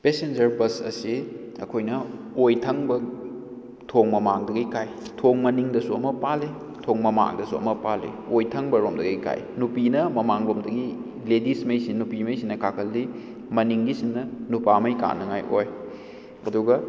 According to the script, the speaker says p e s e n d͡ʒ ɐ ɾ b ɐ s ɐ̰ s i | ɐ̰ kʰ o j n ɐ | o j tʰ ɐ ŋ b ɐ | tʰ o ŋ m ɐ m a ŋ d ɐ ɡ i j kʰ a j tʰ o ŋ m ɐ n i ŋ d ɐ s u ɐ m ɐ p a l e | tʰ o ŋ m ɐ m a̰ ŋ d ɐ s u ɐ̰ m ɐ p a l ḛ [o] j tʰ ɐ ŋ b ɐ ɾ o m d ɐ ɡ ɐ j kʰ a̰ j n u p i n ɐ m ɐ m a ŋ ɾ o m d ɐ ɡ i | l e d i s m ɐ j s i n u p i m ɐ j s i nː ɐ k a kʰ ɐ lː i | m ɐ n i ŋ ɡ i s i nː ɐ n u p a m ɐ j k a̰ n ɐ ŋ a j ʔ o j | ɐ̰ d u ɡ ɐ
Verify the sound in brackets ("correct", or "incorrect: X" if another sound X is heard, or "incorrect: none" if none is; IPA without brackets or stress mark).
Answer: correct